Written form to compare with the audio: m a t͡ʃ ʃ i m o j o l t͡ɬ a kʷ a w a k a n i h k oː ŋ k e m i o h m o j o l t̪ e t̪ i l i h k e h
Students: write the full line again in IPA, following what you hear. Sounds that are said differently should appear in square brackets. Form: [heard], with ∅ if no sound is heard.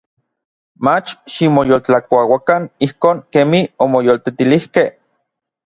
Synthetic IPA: m a t͡ʃ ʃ i m o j o l t͡ɬ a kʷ a w a k a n i h k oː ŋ k e m i o [∅] m o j o l t̪ e t̪ i l i h k e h